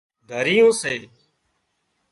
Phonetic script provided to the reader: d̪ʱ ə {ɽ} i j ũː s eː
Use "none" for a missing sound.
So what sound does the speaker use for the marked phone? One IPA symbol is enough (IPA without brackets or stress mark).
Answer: ɾ